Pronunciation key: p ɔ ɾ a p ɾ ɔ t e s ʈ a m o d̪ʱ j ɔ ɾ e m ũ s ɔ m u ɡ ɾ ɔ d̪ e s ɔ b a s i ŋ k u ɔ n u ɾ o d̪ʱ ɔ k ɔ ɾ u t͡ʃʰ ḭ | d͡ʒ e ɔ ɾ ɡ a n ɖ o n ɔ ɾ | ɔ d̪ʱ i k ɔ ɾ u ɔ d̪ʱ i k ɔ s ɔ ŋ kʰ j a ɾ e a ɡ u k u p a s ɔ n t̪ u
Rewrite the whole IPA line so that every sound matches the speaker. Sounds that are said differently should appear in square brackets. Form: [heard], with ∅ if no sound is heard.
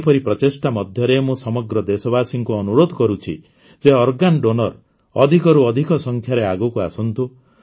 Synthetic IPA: p ɔ ɾ [i] p ɾ ɔ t e s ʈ a m [ɔ] d̪ʱ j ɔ ɾ e m ũ s ɔ m [ɔ] ɡ ɾ ɔ d̪ e s ɔ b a s i ŋ k u ɔ n u ɾ o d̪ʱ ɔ k ɔ ɾ u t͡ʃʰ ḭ | d͡ʒ e ɔ ɾ ɡ a n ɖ o n ɔ ɾ | ɔ d̪ʱ i k ɔ ɾ u ɔ d̪ʱ i k ɔ s ɔ ŋ kʰ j a ɾ e a ɡ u k u [∅] a s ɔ n t̪ u